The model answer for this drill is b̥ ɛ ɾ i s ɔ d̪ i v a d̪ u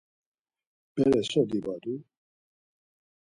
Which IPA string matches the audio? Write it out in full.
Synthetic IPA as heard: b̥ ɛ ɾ ɛ s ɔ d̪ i b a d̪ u